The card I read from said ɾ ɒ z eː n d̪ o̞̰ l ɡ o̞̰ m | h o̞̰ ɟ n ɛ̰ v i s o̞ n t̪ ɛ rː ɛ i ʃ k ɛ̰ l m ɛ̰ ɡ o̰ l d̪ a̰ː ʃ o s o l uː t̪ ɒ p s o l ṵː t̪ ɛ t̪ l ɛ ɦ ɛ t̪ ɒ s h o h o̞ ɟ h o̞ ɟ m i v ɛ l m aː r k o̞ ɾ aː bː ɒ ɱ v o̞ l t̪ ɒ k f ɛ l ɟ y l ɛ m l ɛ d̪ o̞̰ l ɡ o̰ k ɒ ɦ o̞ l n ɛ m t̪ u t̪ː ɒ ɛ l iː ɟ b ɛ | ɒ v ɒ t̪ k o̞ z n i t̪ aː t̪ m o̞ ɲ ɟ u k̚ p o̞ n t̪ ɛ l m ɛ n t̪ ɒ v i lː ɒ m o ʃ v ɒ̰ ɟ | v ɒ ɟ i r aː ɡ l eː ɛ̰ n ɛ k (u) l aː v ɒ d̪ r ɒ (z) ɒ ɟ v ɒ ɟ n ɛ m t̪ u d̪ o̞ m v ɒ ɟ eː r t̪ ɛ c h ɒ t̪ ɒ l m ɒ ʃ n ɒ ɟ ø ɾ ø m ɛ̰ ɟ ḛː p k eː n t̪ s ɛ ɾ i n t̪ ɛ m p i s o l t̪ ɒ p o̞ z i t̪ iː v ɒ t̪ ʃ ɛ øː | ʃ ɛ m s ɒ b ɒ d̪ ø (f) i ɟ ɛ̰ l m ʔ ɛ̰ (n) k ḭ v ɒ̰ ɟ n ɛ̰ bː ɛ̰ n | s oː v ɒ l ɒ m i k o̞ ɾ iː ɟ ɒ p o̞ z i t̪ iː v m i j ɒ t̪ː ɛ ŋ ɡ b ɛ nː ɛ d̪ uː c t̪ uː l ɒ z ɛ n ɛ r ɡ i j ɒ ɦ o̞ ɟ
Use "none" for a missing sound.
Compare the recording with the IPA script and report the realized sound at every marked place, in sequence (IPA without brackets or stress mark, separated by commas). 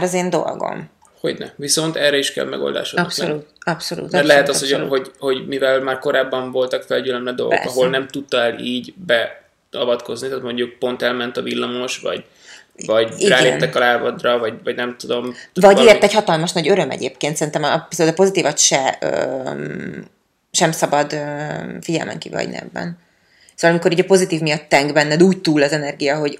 ɒ, v, f, ŋ